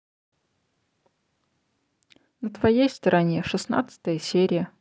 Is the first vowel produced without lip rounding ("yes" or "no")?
yes